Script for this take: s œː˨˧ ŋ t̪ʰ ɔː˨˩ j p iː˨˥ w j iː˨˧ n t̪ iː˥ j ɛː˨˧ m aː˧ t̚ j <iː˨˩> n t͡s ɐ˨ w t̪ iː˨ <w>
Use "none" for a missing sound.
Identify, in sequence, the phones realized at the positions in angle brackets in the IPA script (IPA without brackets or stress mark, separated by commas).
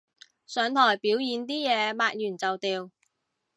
yː˨˩, w